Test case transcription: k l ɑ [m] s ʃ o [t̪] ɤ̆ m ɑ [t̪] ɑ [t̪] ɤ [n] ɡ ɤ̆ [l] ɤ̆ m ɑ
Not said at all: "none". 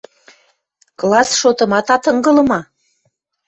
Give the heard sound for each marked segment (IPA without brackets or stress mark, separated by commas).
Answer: none, t̪, t̪, t̪, ŋ, l